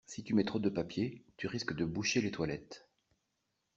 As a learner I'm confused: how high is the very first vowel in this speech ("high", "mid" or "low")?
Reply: high